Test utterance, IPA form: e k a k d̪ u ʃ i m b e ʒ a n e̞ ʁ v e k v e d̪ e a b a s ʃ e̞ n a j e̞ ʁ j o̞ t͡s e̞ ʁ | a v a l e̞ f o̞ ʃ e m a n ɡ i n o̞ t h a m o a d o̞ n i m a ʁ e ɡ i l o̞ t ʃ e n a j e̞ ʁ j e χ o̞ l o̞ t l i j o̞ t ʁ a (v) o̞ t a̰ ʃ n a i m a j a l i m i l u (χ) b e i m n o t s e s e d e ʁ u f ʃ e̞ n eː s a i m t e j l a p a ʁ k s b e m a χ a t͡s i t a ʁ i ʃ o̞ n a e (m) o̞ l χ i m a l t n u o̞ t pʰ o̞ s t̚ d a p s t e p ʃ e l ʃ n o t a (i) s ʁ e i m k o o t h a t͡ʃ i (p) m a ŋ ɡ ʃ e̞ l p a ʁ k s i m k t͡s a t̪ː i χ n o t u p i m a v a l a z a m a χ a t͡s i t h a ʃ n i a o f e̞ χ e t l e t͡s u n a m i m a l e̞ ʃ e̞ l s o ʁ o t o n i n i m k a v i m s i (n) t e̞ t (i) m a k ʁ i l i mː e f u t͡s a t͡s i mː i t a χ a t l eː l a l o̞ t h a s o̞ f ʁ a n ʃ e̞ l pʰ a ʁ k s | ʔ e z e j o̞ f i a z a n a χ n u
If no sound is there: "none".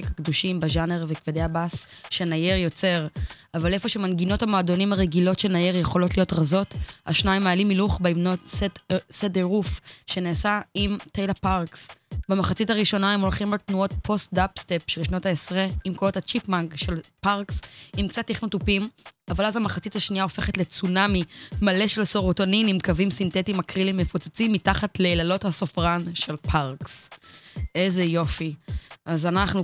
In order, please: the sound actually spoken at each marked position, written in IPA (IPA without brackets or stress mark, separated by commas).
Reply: z, χ, m, e, p, n, i